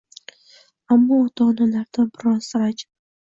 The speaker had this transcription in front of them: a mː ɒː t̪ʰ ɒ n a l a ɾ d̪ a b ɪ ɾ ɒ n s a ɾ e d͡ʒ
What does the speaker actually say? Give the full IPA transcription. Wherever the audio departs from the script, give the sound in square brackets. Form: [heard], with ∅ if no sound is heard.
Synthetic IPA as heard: a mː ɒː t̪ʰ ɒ n a l a ɾ d̪ a b ɪ ɾ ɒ n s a ɾ [a] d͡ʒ